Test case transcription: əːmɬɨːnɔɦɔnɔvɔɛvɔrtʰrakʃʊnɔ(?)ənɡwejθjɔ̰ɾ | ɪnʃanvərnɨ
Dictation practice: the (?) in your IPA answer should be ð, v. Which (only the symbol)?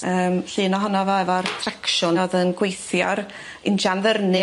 ð